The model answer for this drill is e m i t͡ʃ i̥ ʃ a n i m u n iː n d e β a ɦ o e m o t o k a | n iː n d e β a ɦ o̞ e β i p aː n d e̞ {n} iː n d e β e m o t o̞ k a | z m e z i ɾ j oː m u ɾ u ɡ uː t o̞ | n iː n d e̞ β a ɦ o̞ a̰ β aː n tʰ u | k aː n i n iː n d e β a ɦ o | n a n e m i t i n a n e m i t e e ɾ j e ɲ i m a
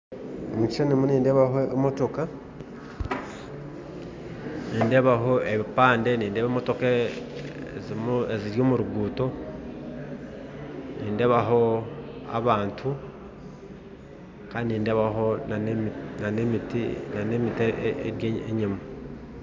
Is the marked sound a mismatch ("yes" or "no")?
no